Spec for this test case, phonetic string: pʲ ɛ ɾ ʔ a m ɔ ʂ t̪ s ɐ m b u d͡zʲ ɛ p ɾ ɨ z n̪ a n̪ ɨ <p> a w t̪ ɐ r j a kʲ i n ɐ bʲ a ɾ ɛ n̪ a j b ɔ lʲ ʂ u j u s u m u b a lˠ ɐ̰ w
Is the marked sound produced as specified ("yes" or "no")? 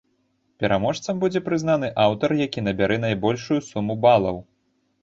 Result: no